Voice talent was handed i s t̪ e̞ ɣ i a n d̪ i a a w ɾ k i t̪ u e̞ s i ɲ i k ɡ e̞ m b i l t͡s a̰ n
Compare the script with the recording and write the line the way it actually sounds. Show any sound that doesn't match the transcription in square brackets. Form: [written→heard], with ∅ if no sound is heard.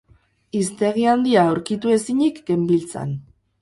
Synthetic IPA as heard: i s t̪ e̞ ɣ i a n d̪ i a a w ɾ k i t̪ u e̞ s i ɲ i k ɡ e̞ m b i l t͡s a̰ n